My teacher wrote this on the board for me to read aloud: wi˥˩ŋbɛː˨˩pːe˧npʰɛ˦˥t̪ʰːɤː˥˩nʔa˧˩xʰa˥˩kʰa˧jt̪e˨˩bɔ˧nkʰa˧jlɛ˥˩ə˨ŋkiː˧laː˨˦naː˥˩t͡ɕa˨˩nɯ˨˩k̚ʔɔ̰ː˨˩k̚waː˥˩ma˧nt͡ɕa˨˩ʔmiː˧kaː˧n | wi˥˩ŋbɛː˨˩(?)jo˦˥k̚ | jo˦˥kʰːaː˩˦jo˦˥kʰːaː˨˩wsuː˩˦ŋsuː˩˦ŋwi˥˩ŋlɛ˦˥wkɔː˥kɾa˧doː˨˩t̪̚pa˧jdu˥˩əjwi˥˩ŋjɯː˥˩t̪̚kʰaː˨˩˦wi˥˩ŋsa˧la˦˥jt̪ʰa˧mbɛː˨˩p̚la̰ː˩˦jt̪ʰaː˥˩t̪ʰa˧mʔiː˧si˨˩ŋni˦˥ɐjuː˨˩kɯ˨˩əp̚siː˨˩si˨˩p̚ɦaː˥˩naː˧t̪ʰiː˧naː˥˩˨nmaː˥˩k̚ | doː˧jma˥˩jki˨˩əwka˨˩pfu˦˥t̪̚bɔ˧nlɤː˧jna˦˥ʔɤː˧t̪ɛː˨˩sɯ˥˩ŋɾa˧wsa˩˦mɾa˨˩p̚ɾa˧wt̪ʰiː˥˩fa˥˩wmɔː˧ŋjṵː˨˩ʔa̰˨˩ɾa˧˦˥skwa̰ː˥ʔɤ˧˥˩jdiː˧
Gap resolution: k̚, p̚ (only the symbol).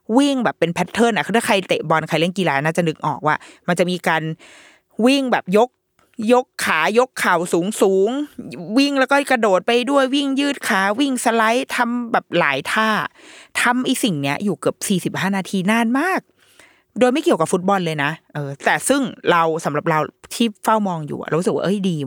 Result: p̚